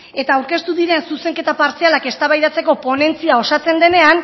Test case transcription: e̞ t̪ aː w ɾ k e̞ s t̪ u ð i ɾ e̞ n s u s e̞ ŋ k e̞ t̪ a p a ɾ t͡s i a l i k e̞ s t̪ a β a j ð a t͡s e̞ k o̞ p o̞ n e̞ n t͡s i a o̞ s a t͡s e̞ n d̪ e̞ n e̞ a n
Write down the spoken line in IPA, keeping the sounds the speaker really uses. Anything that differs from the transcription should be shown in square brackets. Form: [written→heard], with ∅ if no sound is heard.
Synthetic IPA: e̞ t̪ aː w ɾ k e̞ s t̪ u ð i ɾ e̞ n s u s e̞ ŋ k e̞ t̪ a p a ɾ t͡s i a l [i→a] k e̞ s t̪ a β a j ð a t͡s e̞ k o̞ p o̞ n e̞ n t͡s i a o̞ s a t͡s e̞ n d̪ e̞ n e̞ a n